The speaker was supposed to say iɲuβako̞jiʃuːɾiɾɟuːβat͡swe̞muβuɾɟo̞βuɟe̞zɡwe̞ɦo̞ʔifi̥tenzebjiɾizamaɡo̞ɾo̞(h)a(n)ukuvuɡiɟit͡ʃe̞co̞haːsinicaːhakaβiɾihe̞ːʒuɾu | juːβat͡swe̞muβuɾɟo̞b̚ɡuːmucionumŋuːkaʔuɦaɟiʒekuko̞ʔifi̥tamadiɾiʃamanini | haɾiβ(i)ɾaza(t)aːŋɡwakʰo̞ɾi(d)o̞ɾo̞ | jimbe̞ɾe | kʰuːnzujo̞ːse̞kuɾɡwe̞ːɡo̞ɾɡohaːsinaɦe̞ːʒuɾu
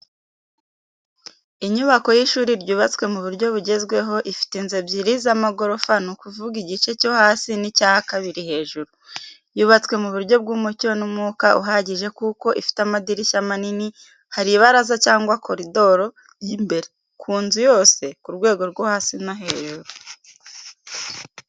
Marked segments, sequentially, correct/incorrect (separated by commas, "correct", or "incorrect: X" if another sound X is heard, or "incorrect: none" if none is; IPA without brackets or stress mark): incorrect: f, correct, incorrect: a, incorrect: c, correct